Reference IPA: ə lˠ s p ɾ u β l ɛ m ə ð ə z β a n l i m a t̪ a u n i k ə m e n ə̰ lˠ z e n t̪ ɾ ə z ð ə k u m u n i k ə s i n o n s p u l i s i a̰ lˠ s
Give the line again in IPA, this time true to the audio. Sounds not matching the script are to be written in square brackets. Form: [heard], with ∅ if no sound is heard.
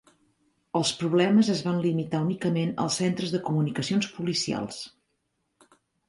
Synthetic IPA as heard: ə lˠ s p ɾ u β l ɛ m ə [z] ə z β a n l i m [i] t̪ a u n i k ə m e n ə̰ lˠ [s] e n t̪ ɾ ə z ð ə k u m u n i k ə s i [∅] o n s p u l i s i a̰ lˠ s